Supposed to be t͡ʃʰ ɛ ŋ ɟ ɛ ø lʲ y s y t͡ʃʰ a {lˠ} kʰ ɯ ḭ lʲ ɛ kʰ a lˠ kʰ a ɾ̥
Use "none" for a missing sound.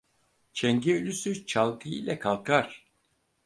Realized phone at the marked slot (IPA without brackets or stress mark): lˠ